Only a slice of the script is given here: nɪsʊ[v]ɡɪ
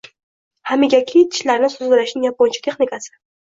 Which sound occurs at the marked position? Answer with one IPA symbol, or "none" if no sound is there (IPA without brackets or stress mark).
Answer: z